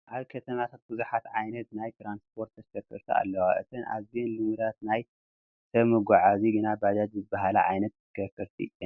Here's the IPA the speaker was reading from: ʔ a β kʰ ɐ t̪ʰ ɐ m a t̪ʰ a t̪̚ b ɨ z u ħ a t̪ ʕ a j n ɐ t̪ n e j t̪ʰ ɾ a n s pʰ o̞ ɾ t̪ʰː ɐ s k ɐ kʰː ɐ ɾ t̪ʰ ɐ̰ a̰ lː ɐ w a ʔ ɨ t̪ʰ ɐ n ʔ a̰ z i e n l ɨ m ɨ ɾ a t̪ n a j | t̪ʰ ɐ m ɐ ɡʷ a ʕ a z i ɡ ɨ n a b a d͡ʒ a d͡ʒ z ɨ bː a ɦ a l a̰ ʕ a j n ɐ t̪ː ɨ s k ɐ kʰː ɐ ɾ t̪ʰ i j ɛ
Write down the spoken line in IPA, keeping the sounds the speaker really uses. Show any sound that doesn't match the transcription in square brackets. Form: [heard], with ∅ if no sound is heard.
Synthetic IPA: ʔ a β kʰ ɐ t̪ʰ ɐ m a t̪ʰ a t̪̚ b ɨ z u ħ a t̪ ʕ a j n ɐ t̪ n [a] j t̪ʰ ɾ a n s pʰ o̞ ɾ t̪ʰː ɐ s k ɐ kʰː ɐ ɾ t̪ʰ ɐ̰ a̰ lː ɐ w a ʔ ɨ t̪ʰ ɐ n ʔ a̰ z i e n l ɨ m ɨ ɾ a t̪ n a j | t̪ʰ ɐ m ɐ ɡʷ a ʕ a z i ɡ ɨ n a b a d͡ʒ a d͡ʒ z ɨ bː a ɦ a l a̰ ʕ a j n ɐ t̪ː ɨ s k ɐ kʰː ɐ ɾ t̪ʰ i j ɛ